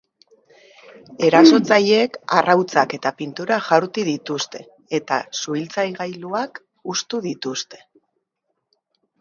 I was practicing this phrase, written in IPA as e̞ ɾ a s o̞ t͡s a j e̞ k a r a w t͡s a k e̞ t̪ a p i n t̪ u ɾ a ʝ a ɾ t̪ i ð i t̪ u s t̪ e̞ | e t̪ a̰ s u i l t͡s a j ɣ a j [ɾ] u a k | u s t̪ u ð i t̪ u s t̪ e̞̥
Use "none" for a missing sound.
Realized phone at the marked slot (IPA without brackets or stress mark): l